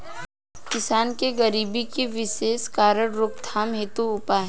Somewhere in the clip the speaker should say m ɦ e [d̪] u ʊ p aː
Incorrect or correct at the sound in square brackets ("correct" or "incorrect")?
incorrect